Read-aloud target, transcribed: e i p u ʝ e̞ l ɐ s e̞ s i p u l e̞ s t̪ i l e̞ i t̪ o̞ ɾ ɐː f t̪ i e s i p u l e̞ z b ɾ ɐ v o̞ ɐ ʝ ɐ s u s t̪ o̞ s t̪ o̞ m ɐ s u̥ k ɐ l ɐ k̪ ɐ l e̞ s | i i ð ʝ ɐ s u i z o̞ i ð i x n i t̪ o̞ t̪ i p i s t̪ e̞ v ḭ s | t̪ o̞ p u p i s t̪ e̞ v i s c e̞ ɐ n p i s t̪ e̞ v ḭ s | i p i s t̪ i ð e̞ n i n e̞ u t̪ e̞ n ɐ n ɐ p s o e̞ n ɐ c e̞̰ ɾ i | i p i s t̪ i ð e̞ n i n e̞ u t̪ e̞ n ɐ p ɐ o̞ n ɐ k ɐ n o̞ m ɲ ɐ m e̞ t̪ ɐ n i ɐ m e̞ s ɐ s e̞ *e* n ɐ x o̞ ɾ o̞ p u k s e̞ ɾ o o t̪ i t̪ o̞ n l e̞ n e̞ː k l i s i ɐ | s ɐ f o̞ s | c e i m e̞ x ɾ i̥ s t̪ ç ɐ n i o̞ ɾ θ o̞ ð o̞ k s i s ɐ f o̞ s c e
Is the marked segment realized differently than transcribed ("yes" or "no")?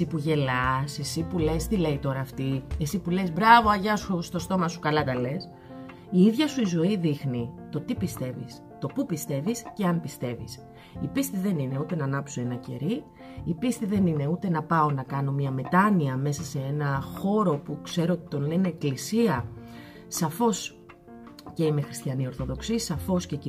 no